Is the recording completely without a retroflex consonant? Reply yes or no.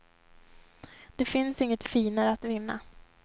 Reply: yes